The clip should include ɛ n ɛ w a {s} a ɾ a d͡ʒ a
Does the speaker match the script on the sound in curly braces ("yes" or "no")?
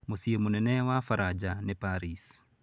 no